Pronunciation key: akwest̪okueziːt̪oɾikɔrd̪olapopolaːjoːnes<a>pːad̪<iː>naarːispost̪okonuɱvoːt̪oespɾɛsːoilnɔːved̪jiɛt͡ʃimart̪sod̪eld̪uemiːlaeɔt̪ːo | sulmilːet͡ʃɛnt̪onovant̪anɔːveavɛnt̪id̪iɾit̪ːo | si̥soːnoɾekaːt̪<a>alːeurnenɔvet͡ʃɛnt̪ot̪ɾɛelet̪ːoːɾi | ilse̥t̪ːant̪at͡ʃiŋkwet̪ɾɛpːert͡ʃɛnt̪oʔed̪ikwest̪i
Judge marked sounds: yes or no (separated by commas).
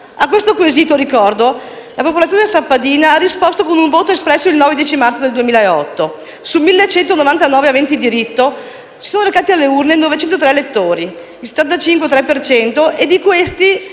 yes, yes, no